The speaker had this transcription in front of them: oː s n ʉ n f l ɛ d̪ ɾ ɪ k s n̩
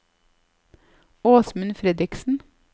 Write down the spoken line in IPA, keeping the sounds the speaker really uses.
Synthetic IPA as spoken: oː s m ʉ n f ɾ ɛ d̪ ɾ ɪ k s n̩